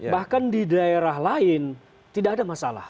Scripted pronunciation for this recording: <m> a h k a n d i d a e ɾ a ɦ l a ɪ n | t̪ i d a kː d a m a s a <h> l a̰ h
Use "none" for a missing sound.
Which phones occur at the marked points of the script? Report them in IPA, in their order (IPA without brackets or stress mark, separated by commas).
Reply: b, none